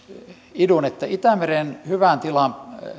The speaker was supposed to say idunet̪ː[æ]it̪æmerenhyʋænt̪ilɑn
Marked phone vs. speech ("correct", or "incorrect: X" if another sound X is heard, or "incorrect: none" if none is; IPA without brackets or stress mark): correct